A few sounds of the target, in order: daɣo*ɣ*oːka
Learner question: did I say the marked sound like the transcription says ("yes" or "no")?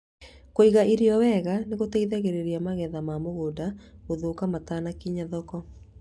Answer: no